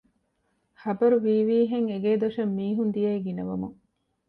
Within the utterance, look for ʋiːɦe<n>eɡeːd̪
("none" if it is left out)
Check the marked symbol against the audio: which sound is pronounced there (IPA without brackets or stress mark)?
ŋ